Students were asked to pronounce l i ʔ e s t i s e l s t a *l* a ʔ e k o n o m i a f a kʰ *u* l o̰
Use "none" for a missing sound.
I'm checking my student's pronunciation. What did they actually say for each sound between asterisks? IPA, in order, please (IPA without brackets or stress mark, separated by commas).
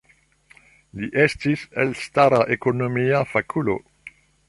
ɾ, u